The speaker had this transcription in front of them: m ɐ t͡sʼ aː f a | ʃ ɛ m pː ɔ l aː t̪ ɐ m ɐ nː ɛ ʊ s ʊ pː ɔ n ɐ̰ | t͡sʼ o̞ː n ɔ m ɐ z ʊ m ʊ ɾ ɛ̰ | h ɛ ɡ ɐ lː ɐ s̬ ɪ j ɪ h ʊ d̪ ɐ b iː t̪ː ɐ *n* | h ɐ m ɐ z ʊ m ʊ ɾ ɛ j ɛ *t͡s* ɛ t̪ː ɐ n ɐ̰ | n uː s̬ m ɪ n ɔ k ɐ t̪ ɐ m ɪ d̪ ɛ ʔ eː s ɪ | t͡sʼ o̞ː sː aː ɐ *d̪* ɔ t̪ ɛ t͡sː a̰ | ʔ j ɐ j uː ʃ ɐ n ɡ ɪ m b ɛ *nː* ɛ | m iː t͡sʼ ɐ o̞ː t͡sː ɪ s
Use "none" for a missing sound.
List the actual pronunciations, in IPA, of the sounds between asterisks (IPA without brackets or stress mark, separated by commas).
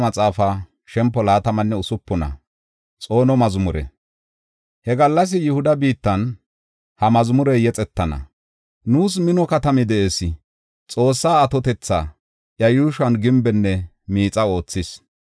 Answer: n, t͡sʼ, t̪, nː